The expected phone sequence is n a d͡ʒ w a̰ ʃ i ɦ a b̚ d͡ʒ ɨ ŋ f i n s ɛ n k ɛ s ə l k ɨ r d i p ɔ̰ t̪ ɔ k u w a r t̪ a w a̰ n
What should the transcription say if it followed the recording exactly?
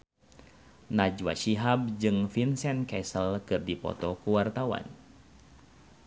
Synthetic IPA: n a d͡ʒ w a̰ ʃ i ɦ a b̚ d͡ʒ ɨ ŋ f i n s ɛ n k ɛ s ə l k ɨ r d i p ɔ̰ t̪ ɔ k u w a r t̪ a w a̰ n